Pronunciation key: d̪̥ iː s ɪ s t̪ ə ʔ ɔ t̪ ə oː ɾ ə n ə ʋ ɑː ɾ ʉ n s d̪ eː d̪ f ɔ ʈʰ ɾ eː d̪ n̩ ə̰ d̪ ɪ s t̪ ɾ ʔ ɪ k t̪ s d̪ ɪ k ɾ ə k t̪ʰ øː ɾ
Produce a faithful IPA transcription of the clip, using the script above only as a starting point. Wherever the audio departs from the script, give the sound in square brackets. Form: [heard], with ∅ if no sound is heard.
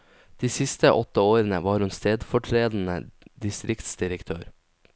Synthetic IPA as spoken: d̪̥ iː s ɪ s t̪ ə ʔ ɔ t̪ ə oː ɾ ə n ə ʋ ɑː ɾ ʉ n s [t̪] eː d̪ f ɔ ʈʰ ɾ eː d̪ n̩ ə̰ d̪ ɪ s t̪ ɾ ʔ ɪ k t̪ s d̪ ɪ [∅] ɾ ə k t̪ʰ øː ɾ